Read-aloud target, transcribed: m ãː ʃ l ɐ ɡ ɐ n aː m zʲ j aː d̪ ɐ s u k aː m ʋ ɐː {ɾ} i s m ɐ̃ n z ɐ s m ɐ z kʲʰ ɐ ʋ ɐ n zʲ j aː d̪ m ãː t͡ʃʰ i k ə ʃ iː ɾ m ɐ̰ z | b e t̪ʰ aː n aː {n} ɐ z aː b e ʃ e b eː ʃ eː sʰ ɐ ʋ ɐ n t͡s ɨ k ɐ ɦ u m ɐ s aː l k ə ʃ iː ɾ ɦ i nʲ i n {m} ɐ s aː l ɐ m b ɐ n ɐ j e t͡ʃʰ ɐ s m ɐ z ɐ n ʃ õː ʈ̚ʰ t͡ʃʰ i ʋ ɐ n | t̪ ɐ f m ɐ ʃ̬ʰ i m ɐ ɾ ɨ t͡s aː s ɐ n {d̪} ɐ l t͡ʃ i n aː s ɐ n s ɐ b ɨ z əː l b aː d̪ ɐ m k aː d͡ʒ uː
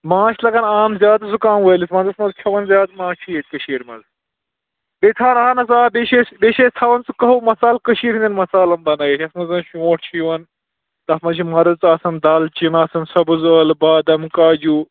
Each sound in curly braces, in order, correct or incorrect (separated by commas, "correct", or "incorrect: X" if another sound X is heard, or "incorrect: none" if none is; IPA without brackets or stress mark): incorrect: l, correct, correct, correct